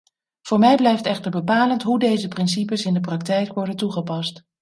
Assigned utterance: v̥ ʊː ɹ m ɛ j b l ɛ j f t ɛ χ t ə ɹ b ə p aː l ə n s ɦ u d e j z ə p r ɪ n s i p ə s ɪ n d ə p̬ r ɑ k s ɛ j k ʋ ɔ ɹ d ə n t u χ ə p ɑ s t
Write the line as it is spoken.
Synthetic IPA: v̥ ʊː ɹ m ɛ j b l ɛ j f t ɛ χ t ə ɹ b ə p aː l ə n t ɦ u d e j z ə p r ɪ n s i p ə s ɪ n d ə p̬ r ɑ k t ɛ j k ʋ ɔ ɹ d ə n t u χ ə p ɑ s t